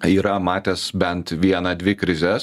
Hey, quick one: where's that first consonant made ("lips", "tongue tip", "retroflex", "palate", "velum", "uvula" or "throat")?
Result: tongue tip